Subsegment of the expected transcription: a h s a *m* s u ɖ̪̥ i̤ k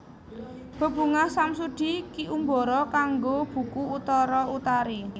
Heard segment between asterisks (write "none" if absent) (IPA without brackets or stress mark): m